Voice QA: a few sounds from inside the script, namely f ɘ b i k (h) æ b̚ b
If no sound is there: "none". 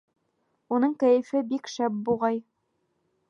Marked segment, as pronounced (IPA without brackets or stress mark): ʃ